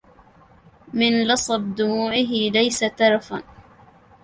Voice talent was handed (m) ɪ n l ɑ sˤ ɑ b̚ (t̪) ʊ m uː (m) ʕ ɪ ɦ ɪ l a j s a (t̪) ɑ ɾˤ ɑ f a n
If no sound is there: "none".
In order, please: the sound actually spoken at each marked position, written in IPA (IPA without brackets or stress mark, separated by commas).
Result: m, d̪, none, t̪